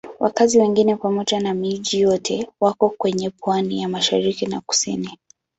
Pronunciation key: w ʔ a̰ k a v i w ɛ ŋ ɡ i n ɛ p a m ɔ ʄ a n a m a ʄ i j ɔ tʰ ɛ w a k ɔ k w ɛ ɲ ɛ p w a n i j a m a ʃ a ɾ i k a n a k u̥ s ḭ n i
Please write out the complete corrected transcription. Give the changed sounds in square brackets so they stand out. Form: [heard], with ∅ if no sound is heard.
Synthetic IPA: w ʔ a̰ k a [z] i w ɛ ŋ ɡ i n ɛ p a m ɔ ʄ a n a m [i] ʄ i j ɔ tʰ ɛ w a k ɔ k w ɛ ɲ ɛ p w a n i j a m a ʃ a ɾ i k [i] n a k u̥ s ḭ n i

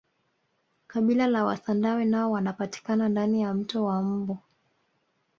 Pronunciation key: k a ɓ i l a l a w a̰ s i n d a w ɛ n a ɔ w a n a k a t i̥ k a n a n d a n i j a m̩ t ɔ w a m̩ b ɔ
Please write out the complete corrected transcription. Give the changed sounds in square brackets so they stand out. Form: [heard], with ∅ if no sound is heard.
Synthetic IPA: k a ɓ i l a l a w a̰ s [a] n d a w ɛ n a ɔ w a n a [p] a t i̥ k a n a n d a n i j a m̩ t ɔ w a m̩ b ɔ

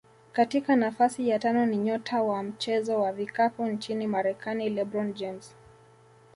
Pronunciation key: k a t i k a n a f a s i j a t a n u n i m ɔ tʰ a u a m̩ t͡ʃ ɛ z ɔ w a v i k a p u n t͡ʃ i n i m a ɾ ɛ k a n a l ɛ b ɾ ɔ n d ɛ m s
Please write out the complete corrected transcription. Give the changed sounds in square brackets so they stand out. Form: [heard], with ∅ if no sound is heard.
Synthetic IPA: k a t i k a n a f a s i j a t a n [ɔ] n i [ɲ] ɔ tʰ a [w] a m̩ t͡ʃ ɛ z ɔ w a v i k a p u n t͡ʃ i n i m a ɾ ɛ k a n [i] l ɛ b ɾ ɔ n [d͡ʒ] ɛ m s

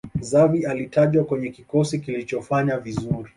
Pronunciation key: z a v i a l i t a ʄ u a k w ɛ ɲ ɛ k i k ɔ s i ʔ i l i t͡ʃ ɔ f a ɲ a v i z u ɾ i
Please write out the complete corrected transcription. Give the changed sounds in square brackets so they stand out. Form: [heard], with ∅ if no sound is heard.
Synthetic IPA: z a v i a l i t a ʄ [w] a k w ɛ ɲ ɛ k i k ɔ s i [k] i l i t͡ʃ ɔ f a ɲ a v i z u ɾ i

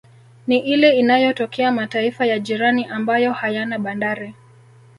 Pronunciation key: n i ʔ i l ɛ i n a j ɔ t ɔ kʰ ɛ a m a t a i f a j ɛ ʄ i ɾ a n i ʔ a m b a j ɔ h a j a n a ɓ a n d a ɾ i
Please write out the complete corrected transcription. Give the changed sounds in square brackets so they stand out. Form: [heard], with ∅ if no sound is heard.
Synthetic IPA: n i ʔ i l ɛ i n a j ɔ t ɔ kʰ ɛ a m a t a i f a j [a] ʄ i ɾ a n i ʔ a m b a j ɔ h a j a n a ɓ a n d a ɾ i

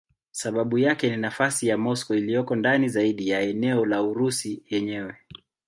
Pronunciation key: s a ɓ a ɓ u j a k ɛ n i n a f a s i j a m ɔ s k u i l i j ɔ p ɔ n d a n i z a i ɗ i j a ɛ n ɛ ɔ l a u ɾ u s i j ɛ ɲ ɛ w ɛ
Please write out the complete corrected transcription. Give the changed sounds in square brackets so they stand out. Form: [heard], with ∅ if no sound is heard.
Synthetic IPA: s a ɓ a ɓ u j a k ɛ n i n a f a s i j a m ɔ s k [ɔ] i l i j ɔ [k] ɔ n d a n i z a i ɗ i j a ɛ n ɛ ɔ l a u ɾ u s i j ɛ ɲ ɛ w ɛ

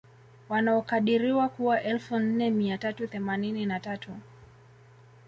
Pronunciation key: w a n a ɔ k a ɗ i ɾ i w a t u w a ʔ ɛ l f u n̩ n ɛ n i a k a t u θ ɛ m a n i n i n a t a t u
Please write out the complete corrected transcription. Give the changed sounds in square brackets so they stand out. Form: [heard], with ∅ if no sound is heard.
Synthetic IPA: w a n a ɔ k a ɗ i ɾ i w a [k] u w a ʔ ɛ l f u n̩ n ɛ [m] i a [t] a t u θ ɛ m a n i n i n a t a t u

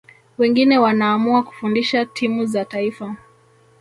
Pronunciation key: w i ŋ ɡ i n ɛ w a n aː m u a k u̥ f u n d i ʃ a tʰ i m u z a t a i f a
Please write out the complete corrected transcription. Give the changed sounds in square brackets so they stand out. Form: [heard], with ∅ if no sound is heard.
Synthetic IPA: w [ɛ] ŋ ɡ i n ɛ w a n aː m u a k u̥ f u n d i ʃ a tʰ i m u z a t a i f a

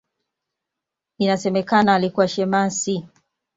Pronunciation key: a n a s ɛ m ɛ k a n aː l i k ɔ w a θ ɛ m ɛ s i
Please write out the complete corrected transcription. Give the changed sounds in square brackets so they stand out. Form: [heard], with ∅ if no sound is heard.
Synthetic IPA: [i] n a s ɛ m ɛ k a n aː l i k [u] w a [ʃ] ɛ m [a] s i

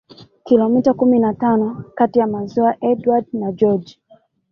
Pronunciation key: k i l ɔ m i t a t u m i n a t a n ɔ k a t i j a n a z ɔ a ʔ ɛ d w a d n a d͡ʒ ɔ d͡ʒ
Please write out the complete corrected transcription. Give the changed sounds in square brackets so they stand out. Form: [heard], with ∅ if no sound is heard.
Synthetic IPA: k i l ɔ m i t a [k] u m i n a t a n ɔ k a t i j a [m] a z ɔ a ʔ ɛ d w a d n a d͡ʒ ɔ d͡ʒ

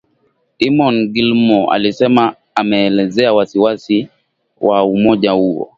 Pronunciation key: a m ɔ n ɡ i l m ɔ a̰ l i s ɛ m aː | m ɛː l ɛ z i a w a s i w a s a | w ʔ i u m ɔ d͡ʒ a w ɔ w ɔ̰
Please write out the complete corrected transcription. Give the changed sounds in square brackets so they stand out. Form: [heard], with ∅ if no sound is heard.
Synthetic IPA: [i] m ɔ n ɡ i l m ɔ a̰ l i s ɛ m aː | m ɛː l ɛ z [ɛ] a w a s i w a s [i] | w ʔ [a] u m ɔ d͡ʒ a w [u] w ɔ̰

